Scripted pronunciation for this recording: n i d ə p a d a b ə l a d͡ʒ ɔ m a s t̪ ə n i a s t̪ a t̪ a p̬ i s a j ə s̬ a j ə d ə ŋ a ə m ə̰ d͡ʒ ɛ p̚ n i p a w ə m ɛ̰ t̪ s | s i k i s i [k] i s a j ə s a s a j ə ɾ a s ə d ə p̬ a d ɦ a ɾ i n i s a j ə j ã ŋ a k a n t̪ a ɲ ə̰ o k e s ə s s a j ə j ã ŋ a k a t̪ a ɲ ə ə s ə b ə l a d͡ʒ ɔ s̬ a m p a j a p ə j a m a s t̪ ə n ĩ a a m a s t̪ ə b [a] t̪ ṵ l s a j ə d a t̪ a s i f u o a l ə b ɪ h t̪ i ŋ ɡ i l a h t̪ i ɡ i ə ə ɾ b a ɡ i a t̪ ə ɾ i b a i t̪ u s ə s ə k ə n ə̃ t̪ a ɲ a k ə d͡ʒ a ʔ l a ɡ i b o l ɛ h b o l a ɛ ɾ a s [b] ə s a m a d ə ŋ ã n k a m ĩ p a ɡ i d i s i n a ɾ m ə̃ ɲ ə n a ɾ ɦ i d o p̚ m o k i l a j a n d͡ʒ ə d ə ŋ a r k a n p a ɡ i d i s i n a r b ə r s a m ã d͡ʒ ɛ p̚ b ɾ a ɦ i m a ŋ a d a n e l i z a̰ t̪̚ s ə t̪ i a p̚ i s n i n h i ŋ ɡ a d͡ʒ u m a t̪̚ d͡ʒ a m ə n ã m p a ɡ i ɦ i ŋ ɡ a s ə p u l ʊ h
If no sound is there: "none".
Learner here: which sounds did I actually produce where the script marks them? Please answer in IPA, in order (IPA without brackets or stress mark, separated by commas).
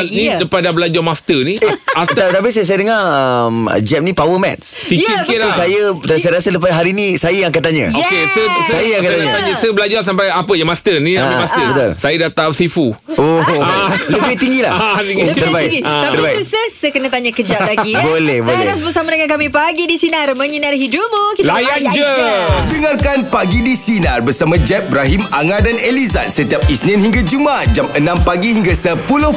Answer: k, ə, b